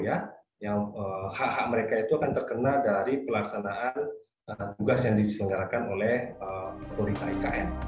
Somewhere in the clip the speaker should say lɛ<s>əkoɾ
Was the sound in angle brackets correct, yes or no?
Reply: no